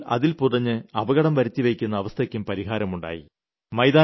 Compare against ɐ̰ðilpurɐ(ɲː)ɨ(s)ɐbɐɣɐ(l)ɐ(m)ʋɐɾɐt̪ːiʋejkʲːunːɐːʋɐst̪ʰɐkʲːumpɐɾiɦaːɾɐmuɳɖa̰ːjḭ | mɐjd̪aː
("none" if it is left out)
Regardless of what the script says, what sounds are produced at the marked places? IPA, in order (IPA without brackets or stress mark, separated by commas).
ɲː, none, ɽ, m